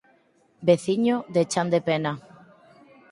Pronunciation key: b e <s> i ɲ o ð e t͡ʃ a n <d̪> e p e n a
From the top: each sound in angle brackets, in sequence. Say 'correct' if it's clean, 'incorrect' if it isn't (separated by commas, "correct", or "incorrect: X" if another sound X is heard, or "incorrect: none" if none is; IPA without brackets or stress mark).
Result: incorrect: θ, correct